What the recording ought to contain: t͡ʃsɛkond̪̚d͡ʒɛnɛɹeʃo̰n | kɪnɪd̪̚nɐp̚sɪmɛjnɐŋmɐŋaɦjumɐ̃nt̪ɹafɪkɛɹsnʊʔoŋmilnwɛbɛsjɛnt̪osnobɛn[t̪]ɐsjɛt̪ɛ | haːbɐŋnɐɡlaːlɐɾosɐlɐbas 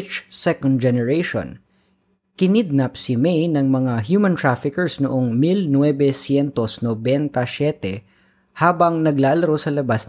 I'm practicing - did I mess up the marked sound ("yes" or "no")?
no